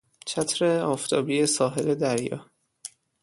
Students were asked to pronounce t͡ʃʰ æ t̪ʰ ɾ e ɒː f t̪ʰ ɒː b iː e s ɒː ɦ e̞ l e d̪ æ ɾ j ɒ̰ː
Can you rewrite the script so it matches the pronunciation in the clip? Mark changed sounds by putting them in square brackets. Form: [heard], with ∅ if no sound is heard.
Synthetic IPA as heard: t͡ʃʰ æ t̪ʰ ɾ e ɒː f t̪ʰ ɒː b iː e s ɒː ɦ e̞ l e d̪ æ ɾ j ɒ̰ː